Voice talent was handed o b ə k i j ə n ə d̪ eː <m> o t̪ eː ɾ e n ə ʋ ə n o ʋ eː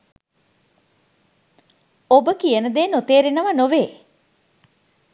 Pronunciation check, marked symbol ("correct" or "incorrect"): incorrect